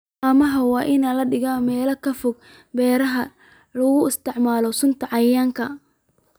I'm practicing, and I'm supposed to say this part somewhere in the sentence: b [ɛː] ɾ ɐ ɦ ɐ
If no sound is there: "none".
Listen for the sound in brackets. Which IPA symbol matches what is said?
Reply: ɛː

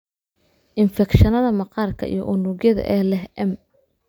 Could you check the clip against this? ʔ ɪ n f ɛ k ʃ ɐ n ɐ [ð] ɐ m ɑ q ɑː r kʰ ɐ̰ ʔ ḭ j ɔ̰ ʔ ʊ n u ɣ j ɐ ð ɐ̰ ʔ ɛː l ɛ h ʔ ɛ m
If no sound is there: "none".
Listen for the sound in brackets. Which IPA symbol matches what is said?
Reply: ð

